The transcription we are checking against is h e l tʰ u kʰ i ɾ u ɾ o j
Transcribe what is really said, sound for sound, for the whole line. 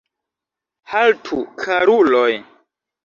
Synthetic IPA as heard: h a l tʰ u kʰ a ɾ u l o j